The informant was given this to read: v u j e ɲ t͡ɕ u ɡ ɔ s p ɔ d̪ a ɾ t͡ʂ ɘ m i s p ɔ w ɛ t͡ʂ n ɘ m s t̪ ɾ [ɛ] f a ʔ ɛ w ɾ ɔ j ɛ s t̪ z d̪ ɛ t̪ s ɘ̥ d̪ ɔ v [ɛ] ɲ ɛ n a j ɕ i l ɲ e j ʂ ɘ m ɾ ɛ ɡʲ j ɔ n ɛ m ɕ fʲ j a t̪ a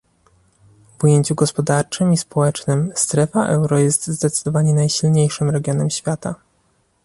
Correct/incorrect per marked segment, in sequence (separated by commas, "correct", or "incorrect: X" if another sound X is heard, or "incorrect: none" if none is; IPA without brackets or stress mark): correct, incorrect: a